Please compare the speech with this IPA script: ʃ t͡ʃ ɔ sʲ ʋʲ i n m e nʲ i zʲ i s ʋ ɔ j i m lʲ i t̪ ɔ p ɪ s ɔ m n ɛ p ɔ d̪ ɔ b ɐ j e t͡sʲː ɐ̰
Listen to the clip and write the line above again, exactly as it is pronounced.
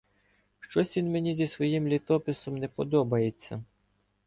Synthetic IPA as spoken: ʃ t͡ʃ ɔ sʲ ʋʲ i n m e nʲ i zʲ i s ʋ ɔ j i m lʲ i t̪ ɔ p ɪ s ɔ m n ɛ p ɔ d̪ ɔ b ɐ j e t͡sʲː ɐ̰